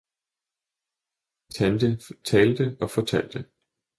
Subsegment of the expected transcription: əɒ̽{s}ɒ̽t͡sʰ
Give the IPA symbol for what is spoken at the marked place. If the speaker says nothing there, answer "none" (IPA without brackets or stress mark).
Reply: f